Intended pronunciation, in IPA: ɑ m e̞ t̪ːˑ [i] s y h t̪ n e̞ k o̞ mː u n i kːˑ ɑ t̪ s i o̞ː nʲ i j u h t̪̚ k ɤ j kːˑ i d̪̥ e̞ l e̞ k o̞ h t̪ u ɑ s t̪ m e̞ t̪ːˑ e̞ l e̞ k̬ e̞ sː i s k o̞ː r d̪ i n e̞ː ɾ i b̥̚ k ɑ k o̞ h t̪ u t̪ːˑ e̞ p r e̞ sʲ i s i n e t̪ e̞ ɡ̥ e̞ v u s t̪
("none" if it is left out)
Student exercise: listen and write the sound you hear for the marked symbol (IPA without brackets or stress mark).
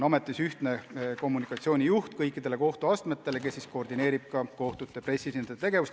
i